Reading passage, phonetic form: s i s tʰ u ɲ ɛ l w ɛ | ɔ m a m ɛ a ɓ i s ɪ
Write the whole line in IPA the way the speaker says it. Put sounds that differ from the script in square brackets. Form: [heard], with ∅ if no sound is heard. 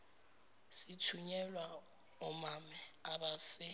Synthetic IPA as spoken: s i [∅] tʰ u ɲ ɛ l w [a] | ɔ m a m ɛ a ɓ [a] s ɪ